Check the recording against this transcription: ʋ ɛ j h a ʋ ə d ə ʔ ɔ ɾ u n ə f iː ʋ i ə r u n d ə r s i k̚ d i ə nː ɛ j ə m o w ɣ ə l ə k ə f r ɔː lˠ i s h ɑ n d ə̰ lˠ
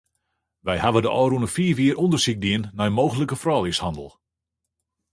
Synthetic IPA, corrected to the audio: ʋ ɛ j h a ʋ ə d ə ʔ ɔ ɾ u n ə f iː ʋ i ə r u n d ə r s i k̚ d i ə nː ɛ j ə m o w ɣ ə l ə k ə f r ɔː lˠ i s h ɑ n d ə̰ lˠ